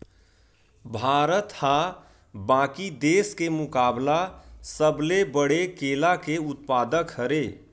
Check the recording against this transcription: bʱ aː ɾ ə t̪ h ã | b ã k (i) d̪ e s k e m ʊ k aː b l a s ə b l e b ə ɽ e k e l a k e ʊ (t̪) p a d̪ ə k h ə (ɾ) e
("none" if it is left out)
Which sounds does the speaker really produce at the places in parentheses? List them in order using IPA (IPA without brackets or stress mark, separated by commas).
i, t̪, ɾ